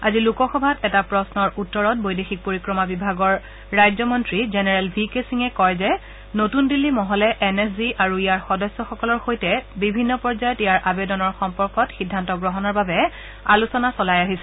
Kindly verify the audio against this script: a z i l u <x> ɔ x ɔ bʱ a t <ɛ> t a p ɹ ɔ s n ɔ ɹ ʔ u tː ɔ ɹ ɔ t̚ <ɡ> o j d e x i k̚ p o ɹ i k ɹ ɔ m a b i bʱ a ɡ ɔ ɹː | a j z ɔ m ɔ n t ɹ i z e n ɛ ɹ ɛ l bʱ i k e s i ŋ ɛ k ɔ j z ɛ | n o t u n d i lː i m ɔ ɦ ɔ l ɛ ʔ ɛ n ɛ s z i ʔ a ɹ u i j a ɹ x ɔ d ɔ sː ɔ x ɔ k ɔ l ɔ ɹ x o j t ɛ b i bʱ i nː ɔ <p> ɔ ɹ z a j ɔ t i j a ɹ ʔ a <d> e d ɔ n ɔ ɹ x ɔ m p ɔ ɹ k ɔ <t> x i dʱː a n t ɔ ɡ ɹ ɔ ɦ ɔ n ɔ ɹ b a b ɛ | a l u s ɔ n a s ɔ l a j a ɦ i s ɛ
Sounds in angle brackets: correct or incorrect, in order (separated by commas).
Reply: incorrect, correct, incorrect, correct, incorrect, correct